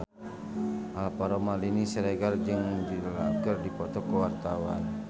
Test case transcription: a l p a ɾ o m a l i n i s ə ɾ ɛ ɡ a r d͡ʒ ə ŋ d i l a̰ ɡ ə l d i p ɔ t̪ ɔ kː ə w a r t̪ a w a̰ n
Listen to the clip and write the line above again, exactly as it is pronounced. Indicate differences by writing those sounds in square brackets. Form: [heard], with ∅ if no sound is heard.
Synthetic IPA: a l p a ɾ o m a l i n i s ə ɾ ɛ ɡ a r d͡ʒ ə ŋ d i l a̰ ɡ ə [r] d i p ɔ t̪ ɔ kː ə w a r t̪ a w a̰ n